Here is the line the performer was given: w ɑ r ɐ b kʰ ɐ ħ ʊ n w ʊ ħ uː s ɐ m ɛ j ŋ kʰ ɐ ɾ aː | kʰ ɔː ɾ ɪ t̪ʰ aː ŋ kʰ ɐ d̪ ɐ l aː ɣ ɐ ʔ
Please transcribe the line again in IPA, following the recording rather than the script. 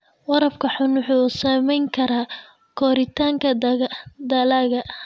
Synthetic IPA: w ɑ ɾ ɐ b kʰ ɐ ħ ʊ n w ʊ ħ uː s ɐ m ɛ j ŋ kʰ ɐ ɾ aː | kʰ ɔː ɾ ɪ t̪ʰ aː ŋ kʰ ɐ d̪ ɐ l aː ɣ ɐ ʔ